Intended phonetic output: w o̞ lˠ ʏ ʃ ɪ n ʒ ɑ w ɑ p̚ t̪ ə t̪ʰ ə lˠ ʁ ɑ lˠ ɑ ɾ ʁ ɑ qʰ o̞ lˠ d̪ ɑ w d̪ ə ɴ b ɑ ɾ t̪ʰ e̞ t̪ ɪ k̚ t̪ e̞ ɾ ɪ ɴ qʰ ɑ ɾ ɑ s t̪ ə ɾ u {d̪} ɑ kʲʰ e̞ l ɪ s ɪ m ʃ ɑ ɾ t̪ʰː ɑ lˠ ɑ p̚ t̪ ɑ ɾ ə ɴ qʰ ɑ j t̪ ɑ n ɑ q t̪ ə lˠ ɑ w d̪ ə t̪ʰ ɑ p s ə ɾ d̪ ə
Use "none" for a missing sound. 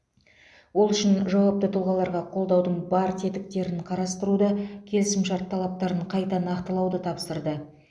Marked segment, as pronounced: d̪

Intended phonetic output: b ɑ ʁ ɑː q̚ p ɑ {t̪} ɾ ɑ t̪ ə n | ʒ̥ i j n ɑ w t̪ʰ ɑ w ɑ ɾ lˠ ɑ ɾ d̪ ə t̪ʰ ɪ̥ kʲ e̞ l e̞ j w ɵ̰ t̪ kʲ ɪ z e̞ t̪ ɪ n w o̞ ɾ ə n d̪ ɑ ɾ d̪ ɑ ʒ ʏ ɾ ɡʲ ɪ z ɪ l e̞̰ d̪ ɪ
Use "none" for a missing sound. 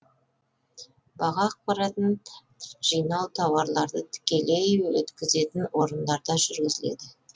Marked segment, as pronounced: none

